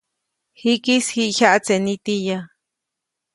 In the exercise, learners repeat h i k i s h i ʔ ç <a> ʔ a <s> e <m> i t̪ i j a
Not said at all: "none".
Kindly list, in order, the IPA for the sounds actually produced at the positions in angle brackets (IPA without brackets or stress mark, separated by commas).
a, t͡s, n